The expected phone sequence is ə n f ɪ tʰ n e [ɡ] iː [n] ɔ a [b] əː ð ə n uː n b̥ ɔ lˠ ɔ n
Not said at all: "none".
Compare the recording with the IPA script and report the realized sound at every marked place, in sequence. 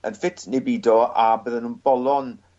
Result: b, d, b

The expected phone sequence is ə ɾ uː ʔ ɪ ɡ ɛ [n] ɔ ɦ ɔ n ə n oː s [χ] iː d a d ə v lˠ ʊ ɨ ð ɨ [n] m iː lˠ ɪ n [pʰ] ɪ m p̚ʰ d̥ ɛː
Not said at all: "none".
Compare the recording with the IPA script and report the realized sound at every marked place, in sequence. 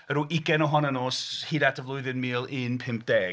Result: n, h, n, pʰ

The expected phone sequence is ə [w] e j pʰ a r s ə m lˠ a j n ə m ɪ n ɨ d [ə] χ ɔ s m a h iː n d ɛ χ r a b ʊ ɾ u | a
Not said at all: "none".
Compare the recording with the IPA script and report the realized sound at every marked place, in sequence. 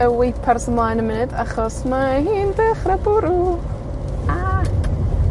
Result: w, a

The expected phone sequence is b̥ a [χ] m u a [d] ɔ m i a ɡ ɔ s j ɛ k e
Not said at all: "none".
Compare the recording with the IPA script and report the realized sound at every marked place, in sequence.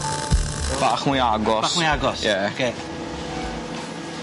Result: χ, ɡ

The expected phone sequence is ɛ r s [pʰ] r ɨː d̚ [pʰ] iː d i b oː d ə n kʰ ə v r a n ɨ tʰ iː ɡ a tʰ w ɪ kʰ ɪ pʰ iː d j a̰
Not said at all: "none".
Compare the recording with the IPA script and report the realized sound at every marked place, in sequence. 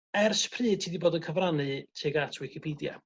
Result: pʰ, tʰ

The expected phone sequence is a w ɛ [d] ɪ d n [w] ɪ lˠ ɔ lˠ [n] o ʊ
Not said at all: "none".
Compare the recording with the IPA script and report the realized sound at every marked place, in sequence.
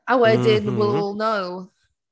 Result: d, w, n

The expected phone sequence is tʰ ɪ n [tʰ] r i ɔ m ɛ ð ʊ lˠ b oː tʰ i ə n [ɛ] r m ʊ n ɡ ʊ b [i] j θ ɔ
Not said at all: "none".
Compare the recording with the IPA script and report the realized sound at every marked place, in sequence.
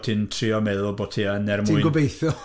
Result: tʰ, ɛ, e

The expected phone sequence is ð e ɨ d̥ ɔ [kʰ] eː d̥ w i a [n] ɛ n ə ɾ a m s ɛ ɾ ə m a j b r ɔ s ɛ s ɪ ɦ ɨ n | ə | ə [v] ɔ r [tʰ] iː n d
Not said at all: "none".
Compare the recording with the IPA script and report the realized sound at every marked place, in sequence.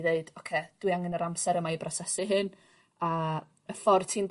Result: kʰ, ŋ, f, tʰ

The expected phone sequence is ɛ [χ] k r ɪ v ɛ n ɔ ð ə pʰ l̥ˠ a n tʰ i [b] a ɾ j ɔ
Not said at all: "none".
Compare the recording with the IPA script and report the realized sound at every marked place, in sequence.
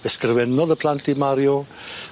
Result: s, m

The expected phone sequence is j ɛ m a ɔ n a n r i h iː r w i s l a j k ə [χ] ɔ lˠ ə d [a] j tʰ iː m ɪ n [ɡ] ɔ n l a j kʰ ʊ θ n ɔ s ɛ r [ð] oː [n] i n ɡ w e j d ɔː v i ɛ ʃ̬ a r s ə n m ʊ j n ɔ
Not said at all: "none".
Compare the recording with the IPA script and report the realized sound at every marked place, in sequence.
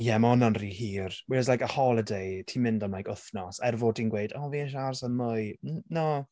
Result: h, e, d, v, d

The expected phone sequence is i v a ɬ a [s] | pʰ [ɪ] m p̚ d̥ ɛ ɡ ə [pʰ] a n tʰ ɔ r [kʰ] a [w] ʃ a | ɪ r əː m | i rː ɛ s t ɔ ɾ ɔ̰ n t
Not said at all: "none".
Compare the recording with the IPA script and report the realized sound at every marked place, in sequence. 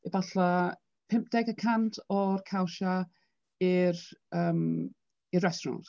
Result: none, ɪ, kʰ, kʰ, w

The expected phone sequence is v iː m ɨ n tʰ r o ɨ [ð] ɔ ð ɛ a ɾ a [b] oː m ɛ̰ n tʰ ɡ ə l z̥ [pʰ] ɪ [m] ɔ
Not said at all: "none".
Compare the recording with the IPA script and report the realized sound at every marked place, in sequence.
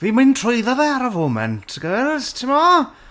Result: ð, v, tʰ, m

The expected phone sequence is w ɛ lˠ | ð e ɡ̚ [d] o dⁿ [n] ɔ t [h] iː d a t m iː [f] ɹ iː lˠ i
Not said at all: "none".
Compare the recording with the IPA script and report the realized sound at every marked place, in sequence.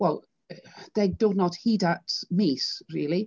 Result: d, n, h, s

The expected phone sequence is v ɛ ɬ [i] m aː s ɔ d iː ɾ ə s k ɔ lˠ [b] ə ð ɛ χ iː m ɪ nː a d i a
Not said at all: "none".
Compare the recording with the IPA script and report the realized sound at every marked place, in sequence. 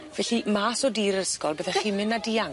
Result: i, b

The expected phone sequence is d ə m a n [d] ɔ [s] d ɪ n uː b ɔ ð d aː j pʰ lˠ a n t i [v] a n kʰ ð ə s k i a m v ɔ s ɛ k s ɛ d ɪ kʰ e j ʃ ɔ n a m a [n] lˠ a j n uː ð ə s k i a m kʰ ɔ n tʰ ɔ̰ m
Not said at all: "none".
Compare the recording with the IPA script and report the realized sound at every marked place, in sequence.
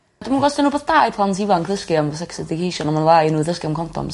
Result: ɡ, s, v, n

